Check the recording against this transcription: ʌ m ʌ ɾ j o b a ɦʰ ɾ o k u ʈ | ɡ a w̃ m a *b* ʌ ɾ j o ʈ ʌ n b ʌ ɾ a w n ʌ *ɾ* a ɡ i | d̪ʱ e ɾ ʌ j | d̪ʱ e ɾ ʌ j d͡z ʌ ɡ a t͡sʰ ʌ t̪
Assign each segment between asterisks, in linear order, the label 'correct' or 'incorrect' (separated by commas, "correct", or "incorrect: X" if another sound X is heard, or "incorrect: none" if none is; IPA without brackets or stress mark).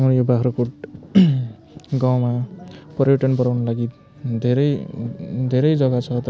incorrect: p, incorrect: l